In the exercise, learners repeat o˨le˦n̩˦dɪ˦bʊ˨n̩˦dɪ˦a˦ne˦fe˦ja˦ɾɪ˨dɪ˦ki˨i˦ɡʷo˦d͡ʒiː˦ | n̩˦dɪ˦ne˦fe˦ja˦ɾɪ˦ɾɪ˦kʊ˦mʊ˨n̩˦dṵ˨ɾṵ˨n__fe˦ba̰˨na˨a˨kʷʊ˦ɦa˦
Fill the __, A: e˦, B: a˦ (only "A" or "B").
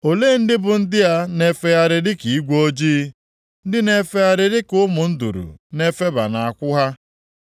A